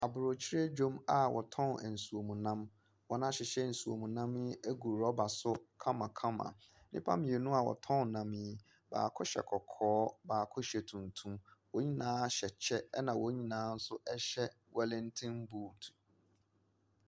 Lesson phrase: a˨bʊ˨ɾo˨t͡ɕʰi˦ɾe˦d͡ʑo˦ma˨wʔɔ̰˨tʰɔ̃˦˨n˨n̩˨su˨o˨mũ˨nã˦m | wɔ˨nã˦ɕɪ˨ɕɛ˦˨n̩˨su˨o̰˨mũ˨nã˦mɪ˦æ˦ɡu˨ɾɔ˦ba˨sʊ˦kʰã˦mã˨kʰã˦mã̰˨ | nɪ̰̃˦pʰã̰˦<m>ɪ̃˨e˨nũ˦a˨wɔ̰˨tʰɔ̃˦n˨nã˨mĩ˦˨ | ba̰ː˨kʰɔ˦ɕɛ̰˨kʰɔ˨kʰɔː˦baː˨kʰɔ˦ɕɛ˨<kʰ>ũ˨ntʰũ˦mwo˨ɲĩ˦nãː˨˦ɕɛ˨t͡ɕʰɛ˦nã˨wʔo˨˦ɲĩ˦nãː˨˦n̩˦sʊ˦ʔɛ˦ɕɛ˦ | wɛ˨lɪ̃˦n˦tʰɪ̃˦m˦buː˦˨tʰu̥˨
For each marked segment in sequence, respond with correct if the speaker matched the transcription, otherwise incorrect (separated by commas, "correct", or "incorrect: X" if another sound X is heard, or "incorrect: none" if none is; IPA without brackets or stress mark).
correct, incorrect: tʰ